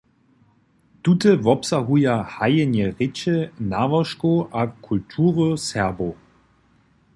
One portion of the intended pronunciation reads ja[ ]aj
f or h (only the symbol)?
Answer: h